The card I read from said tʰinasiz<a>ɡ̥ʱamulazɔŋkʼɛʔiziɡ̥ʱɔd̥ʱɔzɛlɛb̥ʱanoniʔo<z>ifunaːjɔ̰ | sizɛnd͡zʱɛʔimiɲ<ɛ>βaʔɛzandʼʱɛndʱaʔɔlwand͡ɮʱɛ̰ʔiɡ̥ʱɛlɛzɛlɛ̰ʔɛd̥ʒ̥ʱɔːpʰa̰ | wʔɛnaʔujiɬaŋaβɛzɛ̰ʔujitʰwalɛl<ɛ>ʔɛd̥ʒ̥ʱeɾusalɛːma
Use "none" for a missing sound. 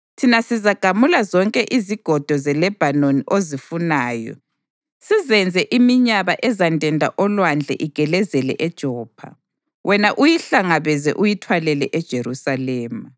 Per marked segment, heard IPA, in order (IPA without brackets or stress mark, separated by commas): a, z, a, ɛ